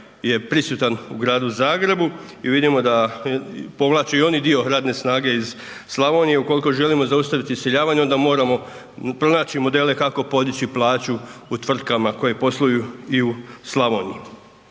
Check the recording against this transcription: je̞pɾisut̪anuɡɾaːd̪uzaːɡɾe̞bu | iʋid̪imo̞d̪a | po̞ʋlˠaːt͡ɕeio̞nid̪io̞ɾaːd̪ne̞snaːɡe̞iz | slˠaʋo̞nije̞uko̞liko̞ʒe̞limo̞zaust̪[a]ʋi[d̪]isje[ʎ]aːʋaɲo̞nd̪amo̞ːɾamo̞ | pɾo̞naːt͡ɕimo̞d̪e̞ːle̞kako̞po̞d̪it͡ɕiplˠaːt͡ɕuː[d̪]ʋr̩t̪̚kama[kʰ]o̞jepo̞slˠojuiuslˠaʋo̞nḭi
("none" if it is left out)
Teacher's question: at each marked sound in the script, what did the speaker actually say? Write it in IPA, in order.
a, t̪, ʎ, t̪, k

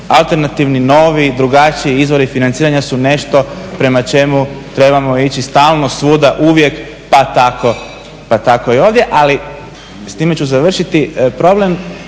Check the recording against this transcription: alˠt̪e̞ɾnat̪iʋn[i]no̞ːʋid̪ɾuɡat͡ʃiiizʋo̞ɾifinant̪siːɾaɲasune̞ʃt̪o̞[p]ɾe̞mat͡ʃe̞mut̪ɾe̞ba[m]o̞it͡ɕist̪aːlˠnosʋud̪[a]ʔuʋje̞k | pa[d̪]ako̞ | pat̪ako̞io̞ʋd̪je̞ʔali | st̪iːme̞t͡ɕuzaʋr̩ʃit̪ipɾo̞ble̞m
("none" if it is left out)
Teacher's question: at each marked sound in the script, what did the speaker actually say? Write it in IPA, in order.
i, p, m, a, t̪

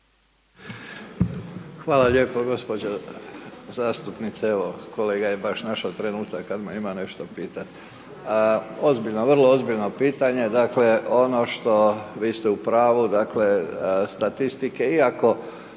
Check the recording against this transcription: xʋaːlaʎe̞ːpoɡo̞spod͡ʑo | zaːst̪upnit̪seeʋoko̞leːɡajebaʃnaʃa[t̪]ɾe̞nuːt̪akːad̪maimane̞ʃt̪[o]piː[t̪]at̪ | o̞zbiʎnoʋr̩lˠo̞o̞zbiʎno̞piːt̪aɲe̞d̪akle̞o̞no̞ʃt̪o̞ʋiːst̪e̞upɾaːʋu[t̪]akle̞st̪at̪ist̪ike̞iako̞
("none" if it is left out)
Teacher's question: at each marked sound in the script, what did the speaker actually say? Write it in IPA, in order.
t̪, o, t̪, d̪

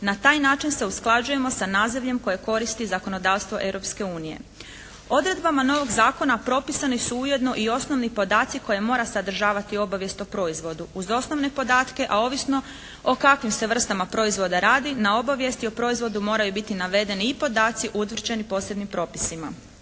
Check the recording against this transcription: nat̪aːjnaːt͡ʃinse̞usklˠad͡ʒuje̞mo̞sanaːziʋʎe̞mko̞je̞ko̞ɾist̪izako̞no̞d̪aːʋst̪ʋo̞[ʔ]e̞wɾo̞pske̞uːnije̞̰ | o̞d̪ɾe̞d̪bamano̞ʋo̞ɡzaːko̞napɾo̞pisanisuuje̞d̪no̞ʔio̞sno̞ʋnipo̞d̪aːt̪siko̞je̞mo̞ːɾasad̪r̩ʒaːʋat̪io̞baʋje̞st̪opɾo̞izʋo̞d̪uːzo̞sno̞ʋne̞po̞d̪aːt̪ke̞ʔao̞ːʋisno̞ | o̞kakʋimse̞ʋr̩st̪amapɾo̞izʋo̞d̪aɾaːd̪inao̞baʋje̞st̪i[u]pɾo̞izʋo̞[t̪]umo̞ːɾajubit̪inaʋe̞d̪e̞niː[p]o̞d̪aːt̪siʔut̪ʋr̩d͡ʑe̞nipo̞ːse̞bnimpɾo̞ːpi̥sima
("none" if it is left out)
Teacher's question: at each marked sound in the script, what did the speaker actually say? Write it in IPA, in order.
ʔ, o, d̪, p

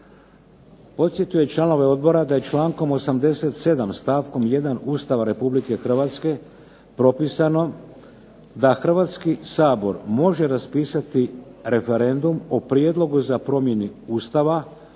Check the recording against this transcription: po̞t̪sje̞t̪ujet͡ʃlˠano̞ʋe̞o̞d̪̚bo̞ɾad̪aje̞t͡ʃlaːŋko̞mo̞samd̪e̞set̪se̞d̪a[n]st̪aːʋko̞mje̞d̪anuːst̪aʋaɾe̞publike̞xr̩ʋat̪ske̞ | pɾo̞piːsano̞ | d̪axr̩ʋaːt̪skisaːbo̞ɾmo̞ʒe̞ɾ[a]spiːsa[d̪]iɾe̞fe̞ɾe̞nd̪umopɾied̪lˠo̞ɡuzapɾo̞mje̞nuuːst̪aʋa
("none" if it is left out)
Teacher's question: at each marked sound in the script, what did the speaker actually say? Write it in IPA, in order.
m, a, t̪

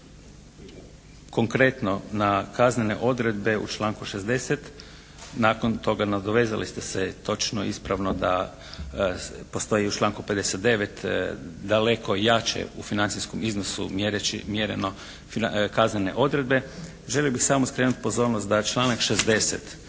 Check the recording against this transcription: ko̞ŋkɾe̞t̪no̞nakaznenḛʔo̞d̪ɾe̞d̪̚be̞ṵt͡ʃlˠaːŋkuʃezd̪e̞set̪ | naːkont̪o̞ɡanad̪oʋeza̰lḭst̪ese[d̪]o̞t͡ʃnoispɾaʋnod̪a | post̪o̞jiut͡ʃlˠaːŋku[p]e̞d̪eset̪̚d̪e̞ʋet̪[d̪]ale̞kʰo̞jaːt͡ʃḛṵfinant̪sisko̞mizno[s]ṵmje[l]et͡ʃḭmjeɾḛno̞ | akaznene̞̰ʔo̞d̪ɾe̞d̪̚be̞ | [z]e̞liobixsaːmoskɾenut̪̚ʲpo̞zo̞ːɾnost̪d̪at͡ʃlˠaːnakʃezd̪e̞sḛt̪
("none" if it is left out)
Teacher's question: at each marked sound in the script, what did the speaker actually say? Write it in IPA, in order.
t̪, p, d̪, s, ɾ, ʒ

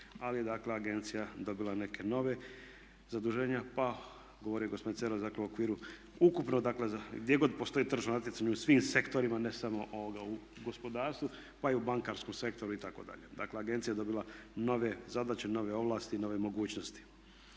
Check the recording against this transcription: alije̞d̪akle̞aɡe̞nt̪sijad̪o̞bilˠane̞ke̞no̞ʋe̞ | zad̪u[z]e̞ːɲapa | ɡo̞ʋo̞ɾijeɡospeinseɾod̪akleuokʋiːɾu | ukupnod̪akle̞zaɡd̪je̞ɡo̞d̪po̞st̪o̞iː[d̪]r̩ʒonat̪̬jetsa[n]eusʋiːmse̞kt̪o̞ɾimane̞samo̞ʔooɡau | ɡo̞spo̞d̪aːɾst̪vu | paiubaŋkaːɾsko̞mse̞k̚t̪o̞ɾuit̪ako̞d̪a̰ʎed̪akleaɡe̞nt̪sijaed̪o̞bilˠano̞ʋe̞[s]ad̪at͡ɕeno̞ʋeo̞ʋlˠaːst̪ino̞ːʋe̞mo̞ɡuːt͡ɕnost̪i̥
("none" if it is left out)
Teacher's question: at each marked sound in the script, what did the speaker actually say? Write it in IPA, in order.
ʒ, t̪, ɲ, z

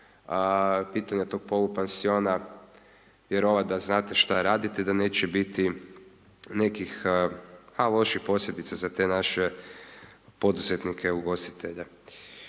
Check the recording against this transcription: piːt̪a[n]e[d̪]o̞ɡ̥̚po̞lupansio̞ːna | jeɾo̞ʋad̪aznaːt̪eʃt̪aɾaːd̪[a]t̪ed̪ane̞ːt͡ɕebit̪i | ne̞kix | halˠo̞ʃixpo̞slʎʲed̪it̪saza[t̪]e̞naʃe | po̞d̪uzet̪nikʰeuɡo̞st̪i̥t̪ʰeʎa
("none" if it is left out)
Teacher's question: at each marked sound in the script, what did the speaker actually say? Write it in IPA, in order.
ɲ, t̪, i, t̪

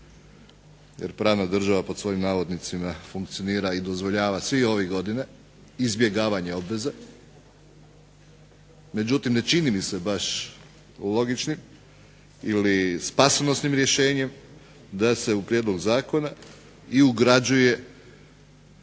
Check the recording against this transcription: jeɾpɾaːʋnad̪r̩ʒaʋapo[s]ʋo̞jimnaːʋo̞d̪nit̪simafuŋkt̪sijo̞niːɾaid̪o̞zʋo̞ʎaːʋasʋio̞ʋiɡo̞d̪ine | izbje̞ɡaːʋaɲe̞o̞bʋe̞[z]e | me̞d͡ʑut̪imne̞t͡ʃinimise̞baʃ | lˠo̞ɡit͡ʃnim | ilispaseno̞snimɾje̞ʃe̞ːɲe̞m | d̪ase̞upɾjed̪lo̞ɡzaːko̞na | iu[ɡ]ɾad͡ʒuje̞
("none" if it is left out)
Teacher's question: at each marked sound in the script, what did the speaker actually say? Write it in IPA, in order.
s, z, ɡ

